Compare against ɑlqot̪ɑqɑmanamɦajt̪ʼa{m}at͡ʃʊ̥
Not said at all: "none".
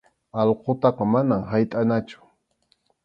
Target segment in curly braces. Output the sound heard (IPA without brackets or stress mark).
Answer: n